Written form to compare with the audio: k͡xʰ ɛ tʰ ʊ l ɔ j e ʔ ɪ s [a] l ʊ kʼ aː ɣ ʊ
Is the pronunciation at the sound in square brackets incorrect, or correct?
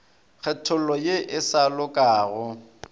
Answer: correct